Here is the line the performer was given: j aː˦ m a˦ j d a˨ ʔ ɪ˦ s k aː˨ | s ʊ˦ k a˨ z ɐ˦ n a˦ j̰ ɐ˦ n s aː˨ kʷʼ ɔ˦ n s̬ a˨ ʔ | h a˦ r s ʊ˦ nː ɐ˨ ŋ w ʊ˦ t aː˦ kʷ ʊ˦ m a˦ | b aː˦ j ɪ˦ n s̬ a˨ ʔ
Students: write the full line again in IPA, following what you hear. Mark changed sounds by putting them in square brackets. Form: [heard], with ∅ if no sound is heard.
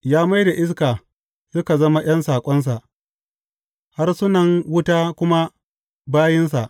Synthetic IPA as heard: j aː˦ m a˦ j d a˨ ʔ ɪ˦ s k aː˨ | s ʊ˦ k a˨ z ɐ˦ [m] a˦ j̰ ɐ˦ n s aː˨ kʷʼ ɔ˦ n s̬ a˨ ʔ | h a˦ r s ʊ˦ [n] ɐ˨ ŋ w ʊ˦ t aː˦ kʷ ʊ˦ m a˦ | b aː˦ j ɪ˦ n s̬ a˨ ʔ